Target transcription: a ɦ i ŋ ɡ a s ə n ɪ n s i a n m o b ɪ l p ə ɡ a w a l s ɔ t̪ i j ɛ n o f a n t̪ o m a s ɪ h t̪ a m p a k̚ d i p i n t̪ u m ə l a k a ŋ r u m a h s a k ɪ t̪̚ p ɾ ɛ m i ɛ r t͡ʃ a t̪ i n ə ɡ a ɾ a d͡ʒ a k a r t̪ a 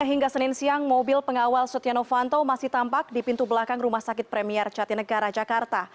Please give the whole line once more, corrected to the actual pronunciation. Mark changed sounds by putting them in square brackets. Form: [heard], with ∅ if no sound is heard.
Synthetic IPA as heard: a ɦ i ŋ ɡ a s ə n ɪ n s i a [ŋ] m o b ɪ l p ə [ŋ] a w a l s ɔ t̪ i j [a] n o f a n t̪ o m a s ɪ h t̪ a m p a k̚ d i p i n t̪ u [b] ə l a k a ŋ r u m a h s a k ɪ t̪̚ p ɾ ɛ m i ɛ r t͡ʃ a t̪ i n ə ɡ a ɾ a d͡ʒ a k a r t̪ a